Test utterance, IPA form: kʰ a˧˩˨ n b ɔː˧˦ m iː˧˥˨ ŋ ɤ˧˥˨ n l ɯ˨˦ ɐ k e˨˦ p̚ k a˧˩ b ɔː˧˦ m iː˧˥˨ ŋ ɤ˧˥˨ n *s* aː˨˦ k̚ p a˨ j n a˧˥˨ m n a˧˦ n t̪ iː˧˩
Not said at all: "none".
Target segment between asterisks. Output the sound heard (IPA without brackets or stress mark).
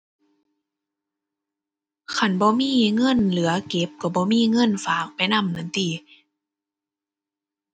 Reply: f